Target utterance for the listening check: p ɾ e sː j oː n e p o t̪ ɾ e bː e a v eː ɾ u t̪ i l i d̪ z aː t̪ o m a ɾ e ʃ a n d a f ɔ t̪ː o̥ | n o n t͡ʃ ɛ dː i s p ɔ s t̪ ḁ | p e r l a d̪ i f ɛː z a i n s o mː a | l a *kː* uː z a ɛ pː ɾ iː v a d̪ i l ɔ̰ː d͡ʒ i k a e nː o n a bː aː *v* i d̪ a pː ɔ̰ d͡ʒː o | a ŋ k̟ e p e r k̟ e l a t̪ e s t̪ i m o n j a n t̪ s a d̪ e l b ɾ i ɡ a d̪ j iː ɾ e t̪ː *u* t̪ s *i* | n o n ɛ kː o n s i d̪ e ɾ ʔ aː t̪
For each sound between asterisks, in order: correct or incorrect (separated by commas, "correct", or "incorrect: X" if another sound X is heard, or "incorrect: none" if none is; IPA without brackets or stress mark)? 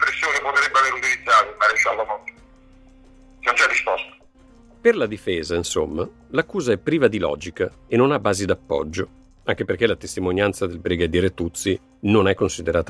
correct, incorrect: z, correct, correct